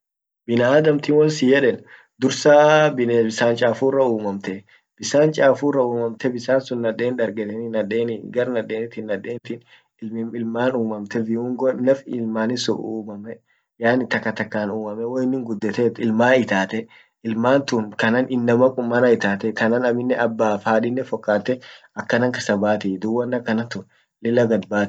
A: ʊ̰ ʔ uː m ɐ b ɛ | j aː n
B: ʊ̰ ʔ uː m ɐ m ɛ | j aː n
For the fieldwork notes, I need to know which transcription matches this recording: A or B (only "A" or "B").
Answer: B